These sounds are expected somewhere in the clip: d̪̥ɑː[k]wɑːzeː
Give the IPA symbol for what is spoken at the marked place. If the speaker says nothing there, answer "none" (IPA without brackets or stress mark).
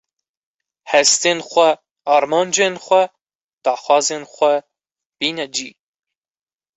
x